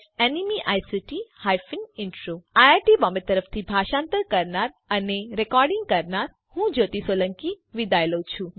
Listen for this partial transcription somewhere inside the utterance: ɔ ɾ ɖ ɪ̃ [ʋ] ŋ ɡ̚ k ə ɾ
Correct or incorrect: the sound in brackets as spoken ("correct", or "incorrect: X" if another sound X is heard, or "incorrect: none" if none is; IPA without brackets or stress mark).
incorrect: none